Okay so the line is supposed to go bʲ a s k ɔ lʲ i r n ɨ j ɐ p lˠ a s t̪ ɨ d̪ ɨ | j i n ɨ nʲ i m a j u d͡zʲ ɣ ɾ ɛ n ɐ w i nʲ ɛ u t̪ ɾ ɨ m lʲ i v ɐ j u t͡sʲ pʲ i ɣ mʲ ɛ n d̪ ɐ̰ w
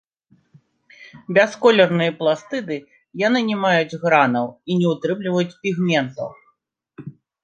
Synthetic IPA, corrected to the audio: bʲ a s k ɔ lʲ ɛ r n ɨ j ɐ p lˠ a s t̪ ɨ d̪ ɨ | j a n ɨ nʲ ɛ m a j u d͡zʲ ɣ ɾ a n ɐ w i nʲ ɛ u t̪ ɾ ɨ m lʲ i v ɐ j u t͡sʲ pʲ i ɣ mʲ ɛ n t̪ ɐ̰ w